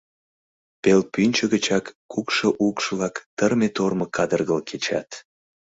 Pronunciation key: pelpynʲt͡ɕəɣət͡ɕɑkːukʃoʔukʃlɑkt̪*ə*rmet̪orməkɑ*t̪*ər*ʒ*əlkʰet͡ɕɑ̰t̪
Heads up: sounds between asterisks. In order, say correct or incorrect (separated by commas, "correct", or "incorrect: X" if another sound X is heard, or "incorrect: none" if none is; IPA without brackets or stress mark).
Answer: correct, incorrect: d̪, incorrect: ɣ